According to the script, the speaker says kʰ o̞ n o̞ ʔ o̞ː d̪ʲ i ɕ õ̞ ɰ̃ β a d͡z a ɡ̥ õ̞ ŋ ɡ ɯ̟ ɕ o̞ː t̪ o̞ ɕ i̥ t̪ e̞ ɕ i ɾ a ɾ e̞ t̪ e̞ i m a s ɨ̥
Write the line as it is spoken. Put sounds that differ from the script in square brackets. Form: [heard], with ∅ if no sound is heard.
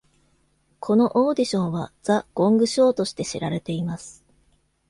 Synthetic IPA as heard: kʰ o̞ n o̞ ʔ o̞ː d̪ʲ i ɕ õ̞ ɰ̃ β a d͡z a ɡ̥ õ̞ ŋ ɡ ɯ̟ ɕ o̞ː t̪ o̞ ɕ i̥ t̪ e̞ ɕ i ɾ a ɾ e̞ t̪ e̞ i m a s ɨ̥